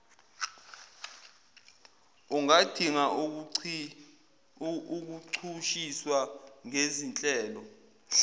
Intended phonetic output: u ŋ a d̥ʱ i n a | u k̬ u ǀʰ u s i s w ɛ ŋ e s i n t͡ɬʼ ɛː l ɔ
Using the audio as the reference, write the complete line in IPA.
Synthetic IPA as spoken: u ŋ a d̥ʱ i ŋ a | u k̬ u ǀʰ u ʃ i s w a ŋ e z i n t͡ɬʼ ɛː l ɔ